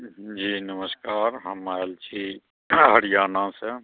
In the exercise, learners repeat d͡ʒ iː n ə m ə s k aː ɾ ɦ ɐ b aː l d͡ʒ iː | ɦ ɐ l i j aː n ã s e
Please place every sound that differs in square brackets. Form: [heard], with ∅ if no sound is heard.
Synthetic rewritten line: d͡ʒ iː n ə m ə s k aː ɾ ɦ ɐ [m] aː l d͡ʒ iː | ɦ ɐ [ɽ] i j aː n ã s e